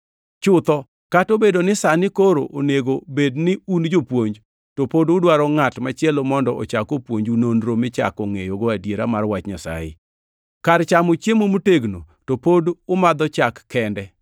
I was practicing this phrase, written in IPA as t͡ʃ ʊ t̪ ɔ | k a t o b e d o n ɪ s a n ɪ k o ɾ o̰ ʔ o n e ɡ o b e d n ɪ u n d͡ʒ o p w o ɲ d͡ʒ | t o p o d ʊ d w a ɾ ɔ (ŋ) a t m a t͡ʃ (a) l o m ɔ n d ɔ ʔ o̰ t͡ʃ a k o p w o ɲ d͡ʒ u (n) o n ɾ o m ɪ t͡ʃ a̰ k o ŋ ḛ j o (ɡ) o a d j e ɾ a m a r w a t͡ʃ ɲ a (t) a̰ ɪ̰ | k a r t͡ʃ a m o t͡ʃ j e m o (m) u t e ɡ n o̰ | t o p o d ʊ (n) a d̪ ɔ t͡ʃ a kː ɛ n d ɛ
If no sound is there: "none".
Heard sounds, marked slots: ŋ, ɛ, n, ɡ, s, m, m

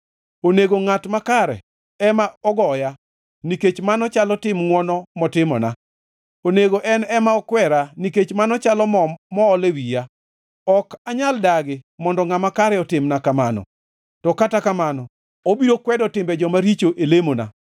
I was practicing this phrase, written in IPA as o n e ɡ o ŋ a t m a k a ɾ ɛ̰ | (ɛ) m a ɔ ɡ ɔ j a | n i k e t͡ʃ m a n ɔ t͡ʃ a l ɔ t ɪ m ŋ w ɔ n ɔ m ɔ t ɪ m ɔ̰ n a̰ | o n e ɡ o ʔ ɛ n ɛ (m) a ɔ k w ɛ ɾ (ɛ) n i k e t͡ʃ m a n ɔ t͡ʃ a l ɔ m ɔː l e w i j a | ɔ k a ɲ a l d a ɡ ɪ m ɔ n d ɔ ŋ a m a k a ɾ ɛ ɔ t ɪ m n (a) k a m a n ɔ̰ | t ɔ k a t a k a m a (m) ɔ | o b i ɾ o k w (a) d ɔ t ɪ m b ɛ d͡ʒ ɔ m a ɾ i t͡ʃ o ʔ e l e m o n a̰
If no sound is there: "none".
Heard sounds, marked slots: ɛ, m, a, a, n, ɛ

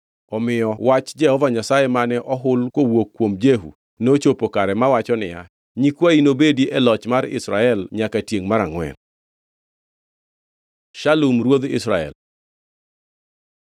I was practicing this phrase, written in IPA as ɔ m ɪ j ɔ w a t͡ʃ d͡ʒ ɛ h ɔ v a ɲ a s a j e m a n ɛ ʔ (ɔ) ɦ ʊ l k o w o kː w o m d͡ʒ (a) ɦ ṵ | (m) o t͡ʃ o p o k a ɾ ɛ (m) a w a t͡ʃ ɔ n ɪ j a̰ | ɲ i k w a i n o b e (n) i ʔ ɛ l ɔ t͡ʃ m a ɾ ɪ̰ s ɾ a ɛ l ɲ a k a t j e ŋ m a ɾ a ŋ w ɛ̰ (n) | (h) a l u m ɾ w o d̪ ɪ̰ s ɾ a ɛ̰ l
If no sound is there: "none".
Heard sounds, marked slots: ɔ, e, n, m, d, n, ʃ

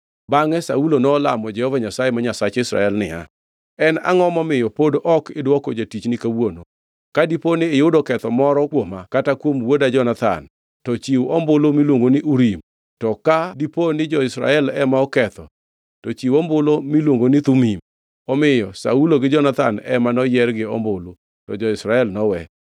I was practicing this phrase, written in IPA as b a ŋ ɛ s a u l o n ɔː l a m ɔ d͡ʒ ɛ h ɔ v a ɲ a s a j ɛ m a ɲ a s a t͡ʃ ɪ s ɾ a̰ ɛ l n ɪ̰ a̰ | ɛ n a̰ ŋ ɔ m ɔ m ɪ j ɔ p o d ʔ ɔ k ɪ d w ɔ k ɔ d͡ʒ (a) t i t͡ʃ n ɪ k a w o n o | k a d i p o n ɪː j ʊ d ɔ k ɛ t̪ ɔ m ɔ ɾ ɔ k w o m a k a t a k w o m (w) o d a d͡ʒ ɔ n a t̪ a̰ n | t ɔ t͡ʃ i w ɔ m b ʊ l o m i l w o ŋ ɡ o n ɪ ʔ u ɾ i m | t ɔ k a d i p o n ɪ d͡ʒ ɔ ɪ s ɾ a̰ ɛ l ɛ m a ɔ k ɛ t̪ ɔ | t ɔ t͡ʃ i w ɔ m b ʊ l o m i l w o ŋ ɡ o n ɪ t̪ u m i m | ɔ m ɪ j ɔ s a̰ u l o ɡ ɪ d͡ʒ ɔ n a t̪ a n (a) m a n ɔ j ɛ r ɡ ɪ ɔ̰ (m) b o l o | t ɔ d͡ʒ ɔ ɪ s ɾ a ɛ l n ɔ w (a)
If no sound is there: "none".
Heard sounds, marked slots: a, w, ɛ, m, ɛ

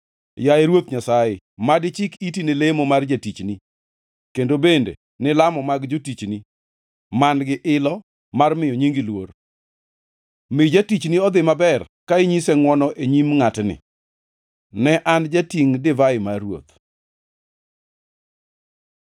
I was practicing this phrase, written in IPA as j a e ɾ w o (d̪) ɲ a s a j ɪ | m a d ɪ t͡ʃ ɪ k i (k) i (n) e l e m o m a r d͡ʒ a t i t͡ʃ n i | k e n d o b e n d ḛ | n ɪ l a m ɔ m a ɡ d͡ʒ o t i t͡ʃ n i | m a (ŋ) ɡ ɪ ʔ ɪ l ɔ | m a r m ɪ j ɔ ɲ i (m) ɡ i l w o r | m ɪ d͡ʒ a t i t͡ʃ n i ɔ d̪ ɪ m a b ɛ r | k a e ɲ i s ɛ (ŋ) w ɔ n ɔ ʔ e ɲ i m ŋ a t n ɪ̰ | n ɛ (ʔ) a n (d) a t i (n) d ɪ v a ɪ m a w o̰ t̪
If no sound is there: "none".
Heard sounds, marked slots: t̪, t, n, n, ŋ, ŋ, ʔ, d͡ʒ, ŋ

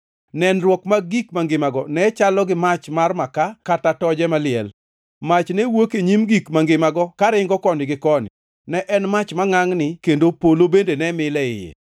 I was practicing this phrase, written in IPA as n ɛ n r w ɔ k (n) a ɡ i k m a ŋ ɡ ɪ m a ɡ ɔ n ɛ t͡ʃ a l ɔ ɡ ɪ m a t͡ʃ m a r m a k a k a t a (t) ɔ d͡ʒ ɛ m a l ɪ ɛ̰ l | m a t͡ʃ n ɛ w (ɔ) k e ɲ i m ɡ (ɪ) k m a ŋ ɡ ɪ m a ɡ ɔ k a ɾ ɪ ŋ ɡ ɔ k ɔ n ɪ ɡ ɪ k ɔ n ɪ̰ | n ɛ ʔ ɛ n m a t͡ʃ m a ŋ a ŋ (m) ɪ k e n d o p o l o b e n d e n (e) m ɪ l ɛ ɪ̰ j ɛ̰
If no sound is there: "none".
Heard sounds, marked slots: m, t, o, i, n, ɛ

